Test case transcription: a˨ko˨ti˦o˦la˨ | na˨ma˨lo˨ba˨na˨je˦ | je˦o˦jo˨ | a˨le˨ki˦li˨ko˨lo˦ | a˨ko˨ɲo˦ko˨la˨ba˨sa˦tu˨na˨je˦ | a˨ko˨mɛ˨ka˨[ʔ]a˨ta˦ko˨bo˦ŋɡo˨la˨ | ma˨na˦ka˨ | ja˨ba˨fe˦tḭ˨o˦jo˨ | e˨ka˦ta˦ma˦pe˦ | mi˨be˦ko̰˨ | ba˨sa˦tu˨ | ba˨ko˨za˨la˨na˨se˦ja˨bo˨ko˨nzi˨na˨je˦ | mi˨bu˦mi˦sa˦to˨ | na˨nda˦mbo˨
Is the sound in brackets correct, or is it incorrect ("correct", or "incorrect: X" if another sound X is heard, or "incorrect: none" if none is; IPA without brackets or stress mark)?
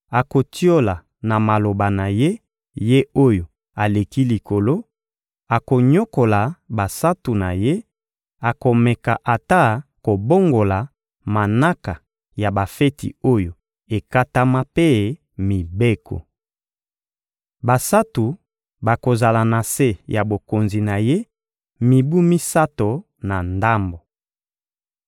correct